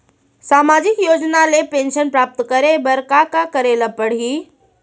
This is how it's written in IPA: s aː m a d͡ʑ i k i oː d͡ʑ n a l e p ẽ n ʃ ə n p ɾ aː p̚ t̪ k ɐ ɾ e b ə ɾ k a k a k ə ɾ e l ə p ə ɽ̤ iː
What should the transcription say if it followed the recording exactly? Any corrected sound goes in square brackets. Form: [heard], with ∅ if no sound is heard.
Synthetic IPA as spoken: s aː m a d͡ʑ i k [j] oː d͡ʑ n a l e p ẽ n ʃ ə n p ɾ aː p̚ t̪ k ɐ ɾ e b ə ɾ k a k a k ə ɾ e l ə p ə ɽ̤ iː